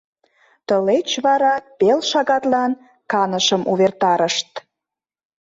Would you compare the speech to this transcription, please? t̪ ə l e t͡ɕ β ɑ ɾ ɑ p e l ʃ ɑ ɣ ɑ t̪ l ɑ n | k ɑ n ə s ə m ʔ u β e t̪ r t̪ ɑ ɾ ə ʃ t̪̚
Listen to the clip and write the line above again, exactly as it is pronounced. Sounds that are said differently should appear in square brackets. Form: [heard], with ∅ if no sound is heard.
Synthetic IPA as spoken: t̪ ə l e t͡ɕ β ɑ ɾ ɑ p e l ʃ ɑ ɣ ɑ t̪ l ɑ n | k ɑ n ə [ʃ] ə m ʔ u β e [∅] r t̪ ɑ ɾ ə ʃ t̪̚